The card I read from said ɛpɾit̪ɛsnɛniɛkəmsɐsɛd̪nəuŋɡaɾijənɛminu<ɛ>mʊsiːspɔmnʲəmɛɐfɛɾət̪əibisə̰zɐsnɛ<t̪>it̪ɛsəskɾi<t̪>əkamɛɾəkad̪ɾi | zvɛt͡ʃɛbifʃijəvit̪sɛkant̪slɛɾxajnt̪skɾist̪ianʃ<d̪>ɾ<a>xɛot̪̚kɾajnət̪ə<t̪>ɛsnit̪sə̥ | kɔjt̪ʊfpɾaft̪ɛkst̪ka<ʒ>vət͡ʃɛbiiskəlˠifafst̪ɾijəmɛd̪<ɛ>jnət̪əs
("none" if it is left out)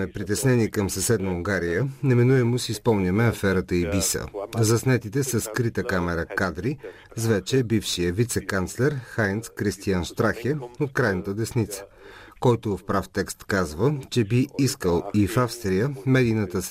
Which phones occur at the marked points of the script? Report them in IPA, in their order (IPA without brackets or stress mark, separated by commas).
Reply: ɛ, t̪, t̪, t̪, a, d̪, z, i